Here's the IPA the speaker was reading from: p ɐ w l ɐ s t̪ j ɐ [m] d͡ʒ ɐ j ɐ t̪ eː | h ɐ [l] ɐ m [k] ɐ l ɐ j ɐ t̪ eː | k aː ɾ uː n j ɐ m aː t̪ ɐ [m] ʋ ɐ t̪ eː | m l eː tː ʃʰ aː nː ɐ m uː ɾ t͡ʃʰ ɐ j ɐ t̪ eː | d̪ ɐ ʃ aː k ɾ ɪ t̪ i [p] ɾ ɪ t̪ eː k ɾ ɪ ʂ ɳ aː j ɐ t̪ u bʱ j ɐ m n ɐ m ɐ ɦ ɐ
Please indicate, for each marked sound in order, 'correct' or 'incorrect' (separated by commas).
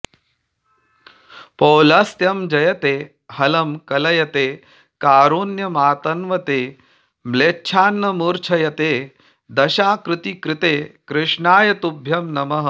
correct, correct, correct, incorrect, incorrect